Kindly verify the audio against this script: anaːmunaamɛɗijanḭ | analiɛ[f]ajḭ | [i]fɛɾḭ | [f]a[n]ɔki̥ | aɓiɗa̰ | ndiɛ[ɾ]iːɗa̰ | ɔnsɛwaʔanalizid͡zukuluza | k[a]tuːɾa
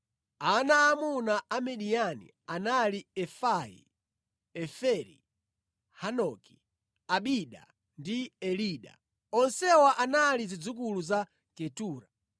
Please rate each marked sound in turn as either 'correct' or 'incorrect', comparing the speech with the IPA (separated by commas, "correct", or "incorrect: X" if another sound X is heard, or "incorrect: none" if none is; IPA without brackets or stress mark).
correct, incorrect: ɛ, incorrect: h, correct, incorrect: l, incorrect: ɛ